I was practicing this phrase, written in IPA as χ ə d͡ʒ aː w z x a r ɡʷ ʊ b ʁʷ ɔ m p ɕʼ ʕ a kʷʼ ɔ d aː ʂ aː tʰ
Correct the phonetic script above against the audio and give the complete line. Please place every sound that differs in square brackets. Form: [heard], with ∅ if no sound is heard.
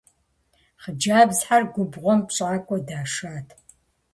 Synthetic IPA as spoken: χ ə d͡ʒ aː [b] z [ħ] a r ɡʷ ʊ b ʁʷ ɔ m p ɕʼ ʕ a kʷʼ ɔ d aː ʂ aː tʰ